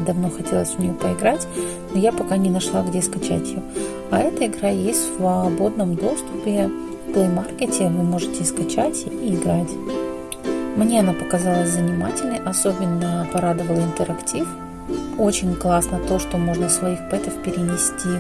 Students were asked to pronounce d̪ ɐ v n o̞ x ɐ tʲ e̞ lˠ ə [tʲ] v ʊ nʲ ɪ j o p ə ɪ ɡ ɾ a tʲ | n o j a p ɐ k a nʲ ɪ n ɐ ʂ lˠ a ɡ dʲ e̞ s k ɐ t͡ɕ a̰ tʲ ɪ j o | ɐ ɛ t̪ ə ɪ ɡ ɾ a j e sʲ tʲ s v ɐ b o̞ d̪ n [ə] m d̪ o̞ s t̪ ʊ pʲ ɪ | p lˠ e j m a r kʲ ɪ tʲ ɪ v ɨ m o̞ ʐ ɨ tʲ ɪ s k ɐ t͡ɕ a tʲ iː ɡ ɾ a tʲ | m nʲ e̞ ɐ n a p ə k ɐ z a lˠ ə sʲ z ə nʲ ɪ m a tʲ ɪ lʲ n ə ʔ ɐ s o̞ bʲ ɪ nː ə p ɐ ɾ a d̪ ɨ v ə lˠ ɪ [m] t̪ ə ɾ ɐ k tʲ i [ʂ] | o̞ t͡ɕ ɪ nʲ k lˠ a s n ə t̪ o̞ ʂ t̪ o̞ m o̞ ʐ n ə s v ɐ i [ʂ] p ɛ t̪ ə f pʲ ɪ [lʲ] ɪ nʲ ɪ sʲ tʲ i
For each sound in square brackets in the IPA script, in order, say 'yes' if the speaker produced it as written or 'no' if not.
no, yes, no, no, no, no

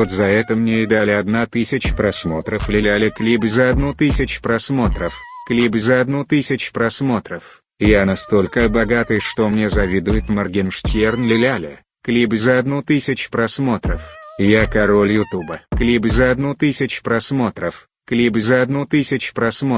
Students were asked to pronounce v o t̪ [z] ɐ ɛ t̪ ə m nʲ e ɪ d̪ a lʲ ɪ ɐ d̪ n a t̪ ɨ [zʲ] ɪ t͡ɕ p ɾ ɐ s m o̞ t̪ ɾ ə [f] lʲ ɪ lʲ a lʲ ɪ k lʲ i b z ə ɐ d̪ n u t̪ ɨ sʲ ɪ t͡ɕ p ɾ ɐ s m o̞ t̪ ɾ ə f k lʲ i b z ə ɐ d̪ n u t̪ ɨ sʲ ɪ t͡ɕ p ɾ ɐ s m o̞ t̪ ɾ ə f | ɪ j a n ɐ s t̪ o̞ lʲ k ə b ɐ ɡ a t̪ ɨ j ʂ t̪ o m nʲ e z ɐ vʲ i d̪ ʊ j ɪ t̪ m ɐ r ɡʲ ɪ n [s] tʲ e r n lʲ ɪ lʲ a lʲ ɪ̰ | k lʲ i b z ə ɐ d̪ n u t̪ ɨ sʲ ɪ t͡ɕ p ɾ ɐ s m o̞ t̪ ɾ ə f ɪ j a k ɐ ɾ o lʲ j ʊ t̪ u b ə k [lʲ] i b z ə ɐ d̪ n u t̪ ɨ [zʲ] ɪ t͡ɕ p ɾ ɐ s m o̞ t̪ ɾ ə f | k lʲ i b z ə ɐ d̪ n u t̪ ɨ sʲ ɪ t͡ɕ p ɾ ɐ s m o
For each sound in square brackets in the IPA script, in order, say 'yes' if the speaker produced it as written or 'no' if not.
yes, no, yes, no, yes, no

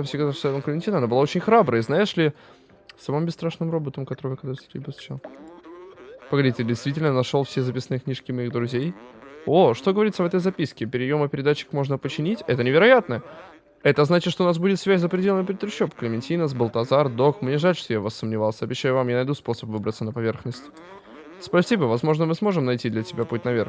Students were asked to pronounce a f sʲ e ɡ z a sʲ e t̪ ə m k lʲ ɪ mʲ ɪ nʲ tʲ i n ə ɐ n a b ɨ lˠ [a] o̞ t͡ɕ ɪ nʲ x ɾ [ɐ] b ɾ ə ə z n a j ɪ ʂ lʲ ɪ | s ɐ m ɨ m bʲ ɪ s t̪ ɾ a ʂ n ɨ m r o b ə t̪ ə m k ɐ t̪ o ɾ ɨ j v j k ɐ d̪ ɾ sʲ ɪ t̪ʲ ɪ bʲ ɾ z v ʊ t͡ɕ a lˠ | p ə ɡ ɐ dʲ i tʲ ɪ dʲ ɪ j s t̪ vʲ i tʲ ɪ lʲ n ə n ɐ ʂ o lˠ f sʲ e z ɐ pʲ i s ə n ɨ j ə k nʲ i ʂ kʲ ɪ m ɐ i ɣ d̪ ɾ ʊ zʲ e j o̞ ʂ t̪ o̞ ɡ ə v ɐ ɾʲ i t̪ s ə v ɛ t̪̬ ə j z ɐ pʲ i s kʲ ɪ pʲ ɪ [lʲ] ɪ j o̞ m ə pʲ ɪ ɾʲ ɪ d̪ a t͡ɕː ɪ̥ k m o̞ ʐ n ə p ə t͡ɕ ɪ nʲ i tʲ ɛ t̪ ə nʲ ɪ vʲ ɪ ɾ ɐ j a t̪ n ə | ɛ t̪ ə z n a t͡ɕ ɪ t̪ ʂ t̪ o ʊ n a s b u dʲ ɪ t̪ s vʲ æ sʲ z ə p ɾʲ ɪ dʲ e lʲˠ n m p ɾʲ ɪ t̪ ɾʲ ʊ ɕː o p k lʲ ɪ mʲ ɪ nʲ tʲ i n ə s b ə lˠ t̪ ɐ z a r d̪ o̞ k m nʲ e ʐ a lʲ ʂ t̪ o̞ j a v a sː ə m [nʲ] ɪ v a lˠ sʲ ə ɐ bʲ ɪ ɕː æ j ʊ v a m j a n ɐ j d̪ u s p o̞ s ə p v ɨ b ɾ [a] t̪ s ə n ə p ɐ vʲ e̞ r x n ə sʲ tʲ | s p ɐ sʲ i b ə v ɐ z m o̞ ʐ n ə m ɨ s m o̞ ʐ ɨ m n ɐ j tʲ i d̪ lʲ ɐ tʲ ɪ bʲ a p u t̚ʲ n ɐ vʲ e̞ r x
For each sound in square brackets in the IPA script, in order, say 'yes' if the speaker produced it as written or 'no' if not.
yes, no, no, yes, no

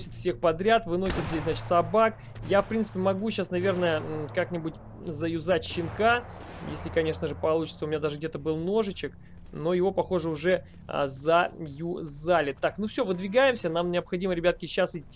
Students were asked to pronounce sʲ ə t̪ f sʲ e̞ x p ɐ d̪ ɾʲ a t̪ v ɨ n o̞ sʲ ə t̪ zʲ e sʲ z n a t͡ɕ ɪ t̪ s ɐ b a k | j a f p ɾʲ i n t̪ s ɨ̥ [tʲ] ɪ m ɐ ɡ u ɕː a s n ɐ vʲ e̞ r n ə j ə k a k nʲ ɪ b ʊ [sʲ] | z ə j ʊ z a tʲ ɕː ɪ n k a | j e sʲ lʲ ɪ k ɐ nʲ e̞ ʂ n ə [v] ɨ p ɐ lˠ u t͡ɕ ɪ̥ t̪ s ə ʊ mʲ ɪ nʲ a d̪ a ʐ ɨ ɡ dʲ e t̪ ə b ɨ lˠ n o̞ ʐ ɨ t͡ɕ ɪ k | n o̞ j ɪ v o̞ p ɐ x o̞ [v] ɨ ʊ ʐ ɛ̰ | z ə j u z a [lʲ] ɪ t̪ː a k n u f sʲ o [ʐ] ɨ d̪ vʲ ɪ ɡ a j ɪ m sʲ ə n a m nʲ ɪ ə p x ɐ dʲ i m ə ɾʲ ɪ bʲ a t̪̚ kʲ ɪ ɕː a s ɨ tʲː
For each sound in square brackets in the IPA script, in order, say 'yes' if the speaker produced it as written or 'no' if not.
no, no, no, no, yes, no

